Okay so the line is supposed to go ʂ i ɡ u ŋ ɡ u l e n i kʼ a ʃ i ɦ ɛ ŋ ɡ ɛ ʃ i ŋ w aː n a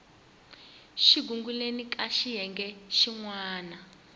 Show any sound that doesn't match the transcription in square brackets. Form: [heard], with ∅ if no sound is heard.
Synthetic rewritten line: [ʃ] i ɡ u ŋ ɡ u l e n i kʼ a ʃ i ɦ ɛ ŋ ɡ ɛ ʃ i ŋ w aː n a